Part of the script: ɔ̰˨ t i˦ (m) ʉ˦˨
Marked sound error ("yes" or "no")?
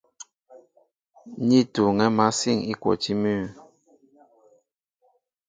no